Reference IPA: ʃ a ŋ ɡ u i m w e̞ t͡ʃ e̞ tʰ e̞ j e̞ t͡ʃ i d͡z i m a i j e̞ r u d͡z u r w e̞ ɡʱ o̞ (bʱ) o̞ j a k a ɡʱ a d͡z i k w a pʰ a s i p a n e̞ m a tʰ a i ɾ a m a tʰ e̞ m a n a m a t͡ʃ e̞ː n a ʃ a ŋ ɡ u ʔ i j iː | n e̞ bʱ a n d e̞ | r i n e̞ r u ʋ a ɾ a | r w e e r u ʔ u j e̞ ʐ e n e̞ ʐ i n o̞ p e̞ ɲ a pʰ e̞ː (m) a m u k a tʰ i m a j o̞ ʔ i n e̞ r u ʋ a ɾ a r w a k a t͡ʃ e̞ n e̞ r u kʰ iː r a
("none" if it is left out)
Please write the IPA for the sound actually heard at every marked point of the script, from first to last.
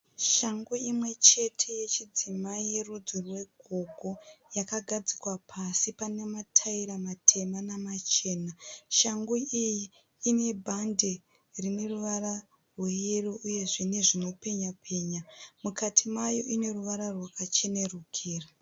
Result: ɡʱ, ɲ

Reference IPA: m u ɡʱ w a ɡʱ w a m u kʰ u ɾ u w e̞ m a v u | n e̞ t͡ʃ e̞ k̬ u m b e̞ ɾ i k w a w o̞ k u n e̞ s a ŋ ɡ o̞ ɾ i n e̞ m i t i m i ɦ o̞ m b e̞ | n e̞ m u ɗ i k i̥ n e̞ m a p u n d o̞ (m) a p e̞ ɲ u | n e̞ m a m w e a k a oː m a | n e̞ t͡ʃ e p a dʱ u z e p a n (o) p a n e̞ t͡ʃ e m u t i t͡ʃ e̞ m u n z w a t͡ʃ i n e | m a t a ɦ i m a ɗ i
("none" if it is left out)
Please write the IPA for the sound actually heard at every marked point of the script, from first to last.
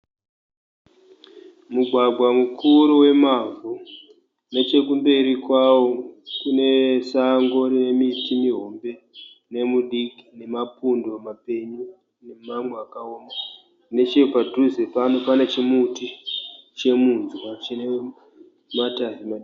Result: m, o

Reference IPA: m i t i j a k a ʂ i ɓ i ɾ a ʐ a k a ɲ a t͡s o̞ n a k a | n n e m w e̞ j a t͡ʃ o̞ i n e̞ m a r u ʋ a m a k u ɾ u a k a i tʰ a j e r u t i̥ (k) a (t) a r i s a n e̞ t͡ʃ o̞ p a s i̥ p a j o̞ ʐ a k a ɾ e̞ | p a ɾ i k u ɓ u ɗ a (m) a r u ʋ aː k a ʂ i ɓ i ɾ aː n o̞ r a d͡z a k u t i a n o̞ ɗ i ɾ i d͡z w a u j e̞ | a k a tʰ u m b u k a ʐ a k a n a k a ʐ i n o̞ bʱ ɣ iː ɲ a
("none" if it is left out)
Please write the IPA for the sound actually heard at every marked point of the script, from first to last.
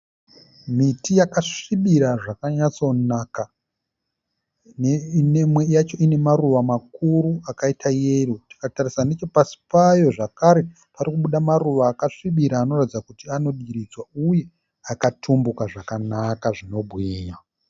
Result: k, t, m

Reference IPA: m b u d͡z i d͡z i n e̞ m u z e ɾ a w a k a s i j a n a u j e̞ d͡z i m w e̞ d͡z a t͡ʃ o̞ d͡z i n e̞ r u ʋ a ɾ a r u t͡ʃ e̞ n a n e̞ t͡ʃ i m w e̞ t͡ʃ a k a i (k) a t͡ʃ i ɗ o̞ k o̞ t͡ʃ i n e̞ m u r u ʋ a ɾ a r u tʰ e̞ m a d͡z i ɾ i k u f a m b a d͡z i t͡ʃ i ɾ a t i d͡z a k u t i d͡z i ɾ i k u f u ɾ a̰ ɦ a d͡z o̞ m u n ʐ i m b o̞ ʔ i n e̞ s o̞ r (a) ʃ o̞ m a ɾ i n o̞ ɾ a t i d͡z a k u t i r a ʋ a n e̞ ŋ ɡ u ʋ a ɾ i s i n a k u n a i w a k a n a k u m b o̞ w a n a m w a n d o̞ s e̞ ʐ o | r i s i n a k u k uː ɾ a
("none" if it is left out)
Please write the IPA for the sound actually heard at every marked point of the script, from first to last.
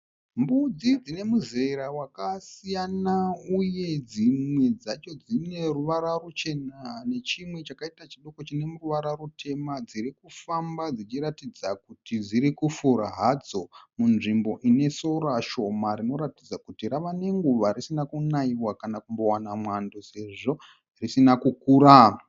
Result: t, a

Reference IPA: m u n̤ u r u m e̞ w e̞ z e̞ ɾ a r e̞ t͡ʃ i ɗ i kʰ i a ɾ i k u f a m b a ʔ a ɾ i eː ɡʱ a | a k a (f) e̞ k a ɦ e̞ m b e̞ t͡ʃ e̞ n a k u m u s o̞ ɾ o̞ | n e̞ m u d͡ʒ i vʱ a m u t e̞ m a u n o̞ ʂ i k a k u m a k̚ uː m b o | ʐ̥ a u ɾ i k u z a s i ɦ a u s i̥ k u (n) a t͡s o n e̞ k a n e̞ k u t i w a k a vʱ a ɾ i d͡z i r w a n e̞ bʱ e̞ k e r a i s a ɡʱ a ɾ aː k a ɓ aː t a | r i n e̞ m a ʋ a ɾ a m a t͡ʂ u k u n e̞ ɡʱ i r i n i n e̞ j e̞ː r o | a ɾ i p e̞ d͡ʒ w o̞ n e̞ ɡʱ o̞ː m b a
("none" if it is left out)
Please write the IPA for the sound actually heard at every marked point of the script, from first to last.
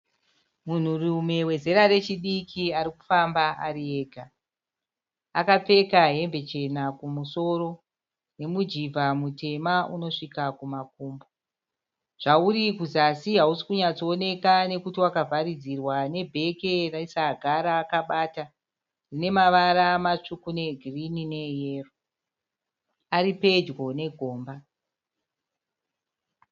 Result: p͡f, ɲ

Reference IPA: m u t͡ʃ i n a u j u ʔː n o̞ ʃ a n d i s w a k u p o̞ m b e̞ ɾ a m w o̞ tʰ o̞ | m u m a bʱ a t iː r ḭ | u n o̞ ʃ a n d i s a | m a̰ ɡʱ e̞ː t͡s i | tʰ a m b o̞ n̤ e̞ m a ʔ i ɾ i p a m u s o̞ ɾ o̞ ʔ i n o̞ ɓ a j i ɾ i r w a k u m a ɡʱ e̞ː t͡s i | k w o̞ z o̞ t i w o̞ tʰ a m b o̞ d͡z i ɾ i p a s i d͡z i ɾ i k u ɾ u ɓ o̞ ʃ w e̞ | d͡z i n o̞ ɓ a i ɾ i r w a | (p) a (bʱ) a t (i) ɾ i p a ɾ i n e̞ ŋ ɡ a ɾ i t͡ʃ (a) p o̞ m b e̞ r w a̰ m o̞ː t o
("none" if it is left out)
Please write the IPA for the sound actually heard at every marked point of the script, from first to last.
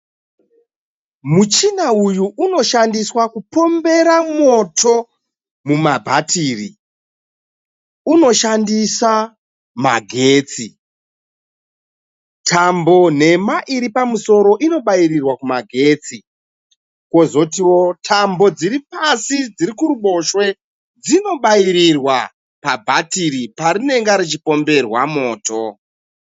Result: p, bʱ, i, i

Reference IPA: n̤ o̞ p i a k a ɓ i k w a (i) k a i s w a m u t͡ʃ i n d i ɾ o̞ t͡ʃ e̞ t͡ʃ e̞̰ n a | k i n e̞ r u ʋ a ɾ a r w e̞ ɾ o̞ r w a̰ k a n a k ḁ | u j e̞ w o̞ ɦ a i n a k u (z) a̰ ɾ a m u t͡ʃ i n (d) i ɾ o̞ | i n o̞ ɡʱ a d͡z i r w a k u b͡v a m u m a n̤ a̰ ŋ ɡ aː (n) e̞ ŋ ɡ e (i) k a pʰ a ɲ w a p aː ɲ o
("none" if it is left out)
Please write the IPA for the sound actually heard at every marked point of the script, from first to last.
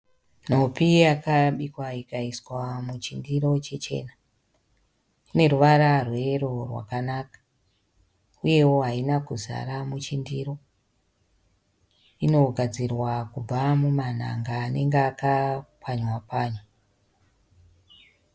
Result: i, z, d, n, a

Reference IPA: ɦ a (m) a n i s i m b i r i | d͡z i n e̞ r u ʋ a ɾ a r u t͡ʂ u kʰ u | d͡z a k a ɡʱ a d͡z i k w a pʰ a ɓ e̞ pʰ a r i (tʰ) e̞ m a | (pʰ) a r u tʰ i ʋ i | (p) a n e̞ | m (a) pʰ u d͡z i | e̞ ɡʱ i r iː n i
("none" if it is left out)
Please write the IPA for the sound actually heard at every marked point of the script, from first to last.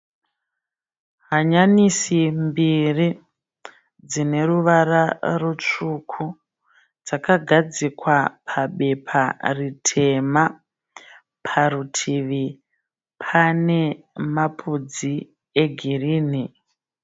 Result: ɲ, tʰ, pʰ, pʰ, a

